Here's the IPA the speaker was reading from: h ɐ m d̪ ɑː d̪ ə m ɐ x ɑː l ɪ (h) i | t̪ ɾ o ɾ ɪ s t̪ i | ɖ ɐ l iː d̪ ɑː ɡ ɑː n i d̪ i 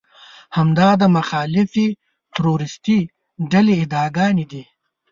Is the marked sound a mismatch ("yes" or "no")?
yes